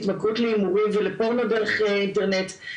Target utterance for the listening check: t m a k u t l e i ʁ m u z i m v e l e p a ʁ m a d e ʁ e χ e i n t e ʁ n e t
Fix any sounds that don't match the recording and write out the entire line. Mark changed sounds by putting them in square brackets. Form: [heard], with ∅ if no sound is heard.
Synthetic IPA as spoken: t m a k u t l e i [∅] m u [ʁ] i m v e l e p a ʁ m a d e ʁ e χ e i n t e ʁ n e t